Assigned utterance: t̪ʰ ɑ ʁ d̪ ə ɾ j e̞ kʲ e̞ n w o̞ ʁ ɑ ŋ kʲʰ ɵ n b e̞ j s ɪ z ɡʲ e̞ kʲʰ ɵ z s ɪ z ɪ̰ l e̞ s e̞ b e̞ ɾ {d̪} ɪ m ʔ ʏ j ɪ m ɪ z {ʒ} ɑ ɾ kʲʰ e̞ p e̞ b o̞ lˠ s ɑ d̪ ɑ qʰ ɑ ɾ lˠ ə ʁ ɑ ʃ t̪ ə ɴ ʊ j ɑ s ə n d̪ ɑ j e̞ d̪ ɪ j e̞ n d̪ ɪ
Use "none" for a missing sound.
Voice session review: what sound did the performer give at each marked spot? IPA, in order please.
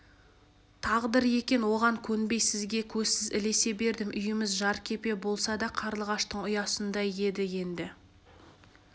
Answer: d̪, ʒ

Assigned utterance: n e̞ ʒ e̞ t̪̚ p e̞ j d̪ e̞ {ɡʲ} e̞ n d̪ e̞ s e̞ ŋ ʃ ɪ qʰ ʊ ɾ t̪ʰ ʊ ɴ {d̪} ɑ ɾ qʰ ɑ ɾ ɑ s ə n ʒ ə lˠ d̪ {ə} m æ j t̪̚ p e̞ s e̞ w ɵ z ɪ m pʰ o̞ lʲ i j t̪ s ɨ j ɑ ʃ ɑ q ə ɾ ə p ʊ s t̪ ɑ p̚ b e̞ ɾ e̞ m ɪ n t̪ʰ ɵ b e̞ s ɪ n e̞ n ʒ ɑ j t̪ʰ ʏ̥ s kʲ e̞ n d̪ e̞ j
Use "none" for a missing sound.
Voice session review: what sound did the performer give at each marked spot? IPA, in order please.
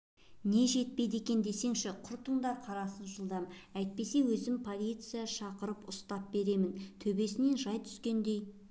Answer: kʲ, d̪, ɑ

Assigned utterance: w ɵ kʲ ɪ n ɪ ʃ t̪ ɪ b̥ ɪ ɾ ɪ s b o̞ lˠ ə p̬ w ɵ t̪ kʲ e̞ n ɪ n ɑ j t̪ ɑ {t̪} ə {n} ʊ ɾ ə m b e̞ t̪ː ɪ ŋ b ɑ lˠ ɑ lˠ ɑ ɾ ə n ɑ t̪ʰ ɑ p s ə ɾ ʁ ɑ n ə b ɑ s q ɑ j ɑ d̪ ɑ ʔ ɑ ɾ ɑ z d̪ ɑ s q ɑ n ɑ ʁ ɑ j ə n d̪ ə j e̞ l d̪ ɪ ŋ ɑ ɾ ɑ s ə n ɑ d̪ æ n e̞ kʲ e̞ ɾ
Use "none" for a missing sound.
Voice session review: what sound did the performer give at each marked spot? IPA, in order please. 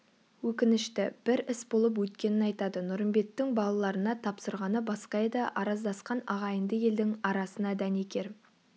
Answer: d̪, n

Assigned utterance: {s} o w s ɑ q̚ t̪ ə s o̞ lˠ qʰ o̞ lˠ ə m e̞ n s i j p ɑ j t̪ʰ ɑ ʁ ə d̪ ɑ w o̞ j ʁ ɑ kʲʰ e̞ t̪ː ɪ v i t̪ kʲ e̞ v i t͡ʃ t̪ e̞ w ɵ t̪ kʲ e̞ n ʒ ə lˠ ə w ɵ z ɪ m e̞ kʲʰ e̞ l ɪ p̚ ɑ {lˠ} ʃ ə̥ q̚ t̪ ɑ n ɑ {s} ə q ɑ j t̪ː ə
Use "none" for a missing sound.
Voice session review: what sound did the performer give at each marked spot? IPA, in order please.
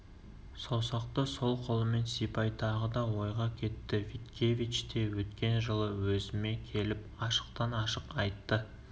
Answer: s, none, ʃ

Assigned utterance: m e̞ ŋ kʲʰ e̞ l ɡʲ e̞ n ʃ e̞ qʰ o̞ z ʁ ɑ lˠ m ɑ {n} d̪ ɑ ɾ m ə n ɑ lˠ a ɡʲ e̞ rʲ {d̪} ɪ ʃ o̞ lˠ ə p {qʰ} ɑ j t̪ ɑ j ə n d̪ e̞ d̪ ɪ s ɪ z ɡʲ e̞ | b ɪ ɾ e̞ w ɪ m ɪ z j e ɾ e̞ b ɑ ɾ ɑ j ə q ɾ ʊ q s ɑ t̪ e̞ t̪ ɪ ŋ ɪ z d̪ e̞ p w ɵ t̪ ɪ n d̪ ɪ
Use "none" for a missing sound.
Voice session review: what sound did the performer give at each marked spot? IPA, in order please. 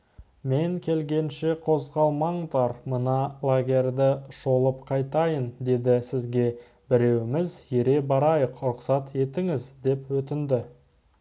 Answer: ɴ, d̪, qʰ

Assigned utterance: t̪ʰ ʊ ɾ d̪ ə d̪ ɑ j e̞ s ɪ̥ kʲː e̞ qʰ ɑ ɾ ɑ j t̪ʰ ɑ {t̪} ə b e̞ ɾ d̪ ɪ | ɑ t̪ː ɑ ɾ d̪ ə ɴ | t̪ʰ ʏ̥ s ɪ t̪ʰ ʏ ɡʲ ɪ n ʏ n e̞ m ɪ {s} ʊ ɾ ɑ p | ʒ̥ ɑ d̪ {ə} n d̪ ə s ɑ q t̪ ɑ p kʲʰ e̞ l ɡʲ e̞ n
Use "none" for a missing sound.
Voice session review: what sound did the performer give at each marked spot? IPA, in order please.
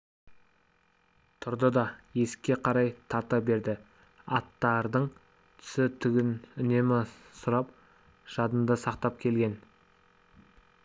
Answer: t̪, s, ə

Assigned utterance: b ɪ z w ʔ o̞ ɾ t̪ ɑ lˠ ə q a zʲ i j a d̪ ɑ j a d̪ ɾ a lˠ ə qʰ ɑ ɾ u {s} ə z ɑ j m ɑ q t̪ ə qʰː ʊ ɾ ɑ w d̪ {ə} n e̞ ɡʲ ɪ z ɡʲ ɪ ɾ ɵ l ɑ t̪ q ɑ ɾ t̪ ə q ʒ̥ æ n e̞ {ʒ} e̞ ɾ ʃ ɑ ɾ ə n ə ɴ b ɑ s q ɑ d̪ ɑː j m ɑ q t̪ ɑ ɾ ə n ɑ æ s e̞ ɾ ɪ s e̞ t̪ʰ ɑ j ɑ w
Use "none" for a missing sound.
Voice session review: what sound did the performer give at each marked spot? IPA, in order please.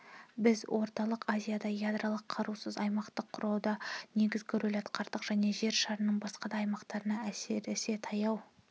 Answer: s, ɑ, ʒ

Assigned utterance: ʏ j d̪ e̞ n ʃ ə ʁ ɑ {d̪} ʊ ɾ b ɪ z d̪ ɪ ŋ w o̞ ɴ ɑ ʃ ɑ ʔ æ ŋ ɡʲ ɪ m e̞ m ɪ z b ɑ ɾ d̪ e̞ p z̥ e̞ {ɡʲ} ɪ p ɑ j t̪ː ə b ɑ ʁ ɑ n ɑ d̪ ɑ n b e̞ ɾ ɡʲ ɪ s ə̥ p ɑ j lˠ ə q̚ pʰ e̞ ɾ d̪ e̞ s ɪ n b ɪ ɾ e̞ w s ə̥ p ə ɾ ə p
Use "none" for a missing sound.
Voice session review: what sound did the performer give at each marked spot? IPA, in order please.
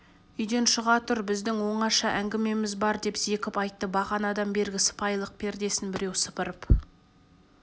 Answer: t̪, kʲ

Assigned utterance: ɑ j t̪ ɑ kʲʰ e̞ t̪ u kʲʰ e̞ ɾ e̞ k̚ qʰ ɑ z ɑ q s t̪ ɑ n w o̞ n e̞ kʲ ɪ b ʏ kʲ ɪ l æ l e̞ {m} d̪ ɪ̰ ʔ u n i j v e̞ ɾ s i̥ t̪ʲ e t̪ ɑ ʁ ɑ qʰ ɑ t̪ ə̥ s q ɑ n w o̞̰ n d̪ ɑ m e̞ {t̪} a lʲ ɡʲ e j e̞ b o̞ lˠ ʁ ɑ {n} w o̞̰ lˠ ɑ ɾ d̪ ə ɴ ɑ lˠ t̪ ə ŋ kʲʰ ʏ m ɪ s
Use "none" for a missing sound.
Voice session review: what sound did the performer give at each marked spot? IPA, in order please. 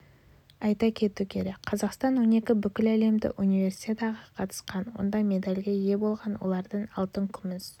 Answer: m, d̪, n

